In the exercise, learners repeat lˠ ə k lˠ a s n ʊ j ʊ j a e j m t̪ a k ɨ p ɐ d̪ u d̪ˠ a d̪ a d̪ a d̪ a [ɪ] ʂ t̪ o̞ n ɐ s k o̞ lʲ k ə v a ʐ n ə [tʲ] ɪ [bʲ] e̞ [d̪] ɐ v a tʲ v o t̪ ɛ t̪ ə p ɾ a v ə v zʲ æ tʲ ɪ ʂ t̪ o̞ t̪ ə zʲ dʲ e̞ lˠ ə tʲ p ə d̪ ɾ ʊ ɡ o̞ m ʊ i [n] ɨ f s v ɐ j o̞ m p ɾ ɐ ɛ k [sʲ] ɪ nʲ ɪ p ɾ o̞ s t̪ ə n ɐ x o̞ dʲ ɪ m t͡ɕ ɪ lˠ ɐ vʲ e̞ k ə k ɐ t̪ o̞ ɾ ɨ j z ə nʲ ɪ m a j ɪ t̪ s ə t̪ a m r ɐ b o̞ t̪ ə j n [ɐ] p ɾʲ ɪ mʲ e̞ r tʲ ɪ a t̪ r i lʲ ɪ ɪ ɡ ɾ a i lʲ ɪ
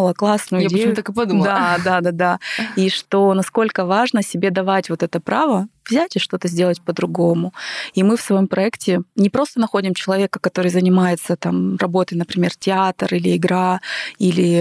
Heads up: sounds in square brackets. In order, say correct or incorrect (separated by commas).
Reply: incorrect, incorrect, correct, correct, incorrect, incorrect, incorrect